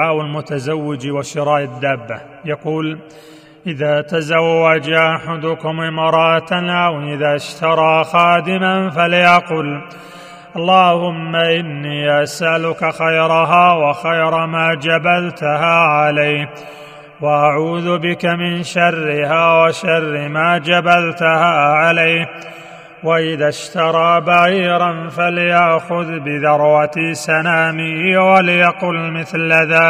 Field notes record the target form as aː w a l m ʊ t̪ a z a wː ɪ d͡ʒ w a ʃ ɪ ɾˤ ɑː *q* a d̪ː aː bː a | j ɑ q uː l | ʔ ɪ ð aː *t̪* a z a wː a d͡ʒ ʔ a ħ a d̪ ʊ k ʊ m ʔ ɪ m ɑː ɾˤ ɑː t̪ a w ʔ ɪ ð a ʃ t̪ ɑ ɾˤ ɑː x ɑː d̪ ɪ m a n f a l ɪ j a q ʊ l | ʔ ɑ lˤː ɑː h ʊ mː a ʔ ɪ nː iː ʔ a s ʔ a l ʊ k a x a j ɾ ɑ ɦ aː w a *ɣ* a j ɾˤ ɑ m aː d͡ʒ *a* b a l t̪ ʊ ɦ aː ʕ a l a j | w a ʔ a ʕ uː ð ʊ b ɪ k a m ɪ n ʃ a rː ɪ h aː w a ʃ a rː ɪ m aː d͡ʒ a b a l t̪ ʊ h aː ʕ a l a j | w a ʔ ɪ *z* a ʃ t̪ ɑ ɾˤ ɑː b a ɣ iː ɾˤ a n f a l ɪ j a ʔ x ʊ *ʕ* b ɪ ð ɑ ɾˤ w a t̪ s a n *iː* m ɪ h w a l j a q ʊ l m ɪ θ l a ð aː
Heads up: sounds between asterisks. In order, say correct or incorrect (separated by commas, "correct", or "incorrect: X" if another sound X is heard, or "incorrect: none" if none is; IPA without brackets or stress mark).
incorrect: ʔ, correct, incorrect: x, correct, incorrect: ð, incorrect: ð, incorrect: aː